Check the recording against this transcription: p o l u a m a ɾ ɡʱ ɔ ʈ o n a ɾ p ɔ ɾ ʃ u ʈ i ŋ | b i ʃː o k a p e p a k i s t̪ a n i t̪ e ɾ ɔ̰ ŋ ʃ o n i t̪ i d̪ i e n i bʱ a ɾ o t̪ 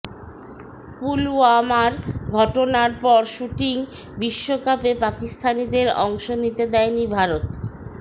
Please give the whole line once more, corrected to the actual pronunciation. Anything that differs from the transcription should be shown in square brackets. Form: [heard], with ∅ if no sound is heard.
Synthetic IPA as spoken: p [u] l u a m a ɾ ɡʱ ɔ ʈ o n a ɾ p ɔ ɾ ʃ u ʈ i ŋ | b i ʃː o k a p e p a k i s [t̪ʰ] a n i [d̪] e ɾ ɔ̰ ŋ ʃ o n i t̪ [e] d̪ [ɛ] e n i bʱ a ɾ o t̪

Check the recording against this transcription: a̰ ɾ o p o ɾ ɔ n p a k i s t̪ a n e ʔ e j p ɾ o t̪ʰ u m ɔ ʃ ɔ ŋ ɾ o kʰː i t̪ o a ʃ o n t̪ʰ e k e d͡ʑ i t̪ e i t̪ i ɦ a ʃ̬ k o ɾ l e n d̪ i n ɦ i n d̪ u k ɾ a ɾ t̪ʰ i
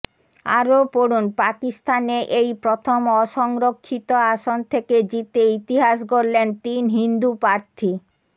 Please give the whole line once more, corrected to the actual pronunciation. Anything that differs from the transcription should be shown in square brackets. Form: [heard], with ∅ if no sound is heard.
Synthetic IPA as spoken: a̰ ɾ o p o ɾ [u] n p a k i s t̪ a n e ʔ e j p ɾ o t̪ʰ [o] m ɔ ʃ ɔ ŋ ɾ o kʰː i t̪ o a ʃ o n t̪ʰ e k e d͡ʑ i t̪ e i t̪ i ɦ a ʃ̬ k o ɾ l e n [t̪] i n ɦ i n d̪ u [p] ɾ a ɾ t̪ʰ i

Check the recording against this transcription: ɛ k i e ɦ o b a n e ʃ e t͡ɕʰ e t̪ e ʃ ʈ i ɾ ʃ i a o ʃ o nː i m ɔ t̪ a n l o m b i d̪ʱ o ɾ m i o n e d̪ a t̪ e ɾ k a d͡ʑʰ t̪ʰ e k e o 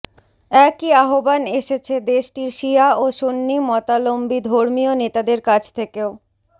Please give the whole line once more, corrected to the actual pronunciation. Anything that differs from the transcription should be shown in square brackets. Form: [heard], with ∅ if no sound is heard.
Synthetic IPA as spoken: ɛ k i [a] ɦ o b a n e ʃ e t͡ɕʰ e [d̪] e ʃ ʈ i ɾ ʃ i a o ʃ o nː i m ɔ t̪ a [∅] l o m b i d̪ʱ o ɾ m i o n e [t̪] a [d̪] e ɾ k a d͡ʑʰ t̪ʰ e k e o

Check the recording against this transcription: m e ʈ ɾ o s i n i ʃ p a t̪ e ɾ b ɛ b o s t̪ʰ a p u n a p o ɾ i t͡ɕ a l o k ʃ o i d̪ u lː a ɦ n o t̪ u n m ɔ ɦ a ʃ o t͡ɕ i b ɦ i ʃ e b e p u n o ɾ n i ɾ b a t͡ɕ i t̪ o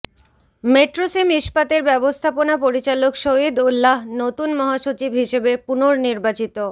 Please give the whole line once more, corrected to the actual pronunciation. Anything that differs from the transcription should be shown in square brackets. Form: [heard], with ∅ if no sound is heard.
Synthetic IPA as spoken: m e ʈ ɾ o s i [m] i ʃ p a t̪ e ɾ b ɛ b o s t̪ʰ a p [o] n a p o ɾ i t͡ɕ a l o k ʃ o i d̪ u lː a ɦ n o t̪ u n m ɔ ɦ a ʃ o t͡ɕ i b ɦ i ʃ e b e p u n o ɾ n i ɾ b a t͡ɕ i t̪ o

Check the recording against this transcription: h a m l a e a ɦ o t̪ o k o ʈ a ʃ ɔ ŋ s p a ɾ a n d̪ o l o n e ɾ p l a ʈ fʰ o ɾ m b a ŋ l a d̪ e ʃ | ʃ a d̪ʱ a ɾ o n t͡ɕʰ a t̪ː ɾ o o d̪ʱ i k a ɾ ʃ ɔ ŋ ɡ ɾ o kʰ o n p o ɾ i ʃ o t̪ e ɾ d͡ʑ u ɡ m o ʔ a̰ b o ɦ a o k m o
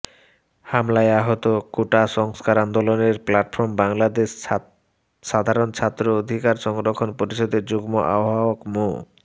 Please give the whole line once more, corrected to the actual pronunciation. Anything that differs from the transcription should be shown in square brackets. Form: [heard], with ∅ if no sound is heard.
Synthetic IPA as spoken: h a m l a e a ɦ o t̪ o k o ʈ a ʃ ɔ ŋ s [k] a ɾ a n d̪ o l o n e ɾ p l a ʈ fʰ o ɾ m b a ŋ l a d̪ e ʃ | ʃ a d̪ʱ a ɾ o n t͡ɕʰ a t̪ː ɾ o o d̪ʱ i k a ɾ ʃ ɔ ŋ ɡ ɾ o kʰ o n p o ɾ i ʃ o [d̪] e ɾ d͡ʑ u ɡ m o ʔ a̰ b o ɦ a o k m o

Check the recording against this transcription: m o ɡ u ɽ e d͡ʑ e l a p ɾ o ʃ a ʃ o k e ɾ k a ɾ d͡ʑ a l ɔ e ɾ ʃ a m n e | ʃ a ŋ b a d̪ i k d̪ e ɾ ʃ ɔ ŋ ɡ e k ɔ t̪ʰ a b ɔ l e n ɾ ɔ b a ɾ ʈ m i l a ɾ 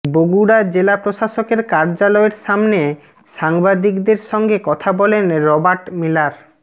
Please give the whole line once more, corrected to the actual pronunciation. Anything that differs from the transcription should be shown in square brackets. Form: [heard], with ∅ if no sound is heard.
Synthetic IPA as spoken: [b] o ɡ u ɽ [a] d͡ʑ e l a p ɾ o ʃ a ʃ o k e ɾ k a ɾ d͡ʑ a l ɔ e ɾ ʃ a m n e | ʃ a ŋ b a d̪ i k d̪ e ɾ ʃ ɔ ŋ ɡ e k ɔ t̪ʰ a b ɔ l e n ɾ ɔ b a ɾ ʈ m i l a ɾ

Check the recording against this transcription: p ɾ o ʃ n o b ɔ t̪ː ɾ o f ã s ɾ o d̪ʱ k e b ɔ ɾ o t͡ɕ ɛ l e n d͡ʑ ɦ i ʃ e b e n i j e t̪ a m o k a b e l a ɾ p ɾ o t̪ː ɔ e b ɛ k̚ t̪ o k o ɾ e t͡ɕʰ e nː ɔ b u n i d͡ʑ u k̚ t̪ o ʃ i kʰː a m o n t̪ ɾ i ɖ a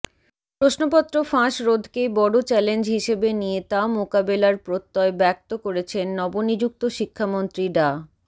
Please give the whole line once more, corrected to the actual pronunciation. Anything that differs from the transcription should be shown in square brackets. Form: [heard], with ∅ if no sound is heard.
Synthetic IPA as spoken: p ɾ o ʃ n o [p] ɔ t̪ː ɾ o f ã [ʃ] ɾ o d̪ʱ k e b ɔ [ɽ] o t͡ɕ ɛ l e n d͡ʑ ɦ i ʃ e b e n i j e t̪ a m o k a b e l a ɾ p ɾ o t̪ː ɔ e b ɛ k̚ t̪ o k o ɾ e t͡ɕʰ e nː ɔ b [o] n i d͡ʑ u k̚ t̪ o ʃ i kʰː a m o n t̪ ɾ i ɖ a

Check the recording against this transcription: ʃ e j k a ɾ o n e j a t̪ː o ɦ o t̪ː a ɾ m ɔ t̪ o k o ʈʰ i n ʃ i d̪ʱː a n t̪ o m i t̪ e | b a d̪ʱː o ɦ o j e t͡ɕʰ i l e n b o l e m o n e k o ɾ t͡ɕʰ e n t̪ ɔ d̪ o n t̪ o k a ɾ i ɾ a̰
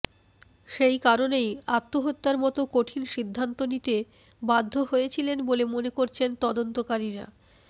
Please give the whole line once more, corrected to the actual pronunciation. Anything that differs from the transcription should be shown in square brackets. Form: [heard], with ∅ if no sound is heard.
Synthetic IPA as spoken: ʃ e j k a ɾ o n e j a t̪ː o ɦ o t̪ː a ɾ m ɔ t̪ o k o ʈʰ i n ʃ i d̪ʱː a n t̪ o [n] i t̪ e | b a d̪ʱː o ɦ o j e t͡ɕʰ i l e n b o l e m o n e k o ɾ t͡ɕʰ e n t̪ ɔ d̪ o n t̪ o k a ɾ i ɾ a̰

